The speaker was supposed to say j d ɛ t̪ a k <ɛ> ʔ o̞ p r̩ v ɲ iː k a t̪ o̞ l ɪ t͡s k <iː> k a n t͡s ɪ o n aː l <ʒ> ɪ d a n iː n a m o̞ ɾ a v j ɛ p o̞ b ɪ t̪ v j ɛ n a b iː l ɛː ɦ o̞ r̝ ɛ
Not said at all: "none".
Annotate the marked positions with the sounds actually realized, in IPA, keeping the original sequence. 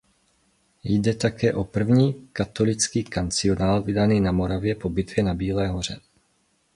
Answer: ɛː, iː, v

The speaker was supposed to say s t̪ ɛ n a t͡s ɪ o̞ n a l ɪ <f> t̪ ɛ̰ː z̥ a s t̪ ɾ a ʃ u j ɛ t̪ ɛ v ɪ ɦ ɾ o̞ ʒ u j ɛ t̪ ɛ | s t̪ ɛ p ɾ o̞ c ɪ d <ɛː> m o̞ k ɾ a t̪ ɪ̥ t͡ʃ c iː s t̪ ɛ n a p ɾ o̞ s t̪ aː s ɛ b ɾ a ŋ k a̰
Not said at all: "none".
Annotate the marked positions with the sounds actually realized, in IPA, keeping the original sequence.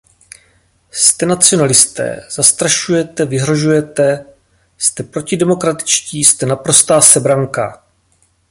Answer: s, ɛ

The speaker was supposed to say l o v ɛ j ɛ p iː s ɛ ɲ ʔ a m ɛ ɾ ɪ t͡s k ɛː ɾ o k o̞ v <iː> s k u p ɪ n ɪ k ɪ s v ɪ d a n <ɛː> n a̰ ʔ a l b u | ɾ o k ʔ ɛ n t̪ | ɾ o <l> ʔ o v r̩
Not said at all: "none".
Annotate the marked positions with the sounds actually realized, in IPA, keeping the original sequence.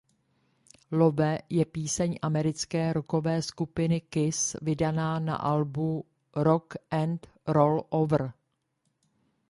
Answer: ɛː, aː, l

